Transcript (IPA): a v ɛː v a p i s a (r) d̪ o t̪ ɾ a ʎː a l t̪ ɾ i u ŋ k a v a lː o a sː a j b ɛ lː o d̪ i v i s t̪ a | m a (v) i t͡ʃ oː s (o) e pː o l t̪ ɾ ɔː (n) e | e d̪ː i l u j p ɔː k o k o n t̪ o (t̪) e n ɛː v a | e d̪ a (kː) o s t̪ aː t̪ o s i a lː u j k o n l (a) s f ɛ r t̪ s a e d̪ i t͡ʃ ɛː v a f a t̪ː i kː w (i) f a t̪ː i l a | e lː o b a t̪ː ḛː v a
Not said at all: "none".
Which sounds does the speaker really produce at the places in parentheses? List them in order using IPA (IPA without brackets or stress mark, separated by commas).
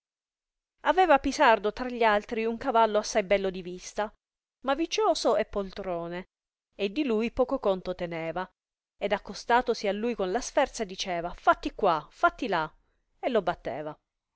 r, v, o, n, t̪, kː, a, a